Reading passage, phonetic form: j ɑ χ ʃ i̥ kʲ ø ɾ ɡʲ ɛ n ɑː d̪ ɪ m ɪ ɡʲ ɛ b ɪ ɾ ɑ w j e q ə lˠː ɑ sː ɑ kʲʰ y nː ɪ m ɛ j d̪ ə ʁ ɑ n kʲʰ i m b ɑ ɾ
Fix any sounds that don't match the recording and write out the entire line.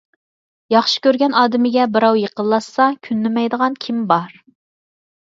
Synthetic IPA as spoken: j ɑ χ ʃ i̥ kʲ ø ɾ ɡʲ ɛ n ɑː d̪ ɪ m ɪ ɡʲ ɛ b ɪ ɾ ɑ w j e q ə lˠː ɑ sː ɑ kʲʰ y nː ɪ m ɛ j d̪ ə ʁ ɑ n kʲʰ i m b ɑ ɾ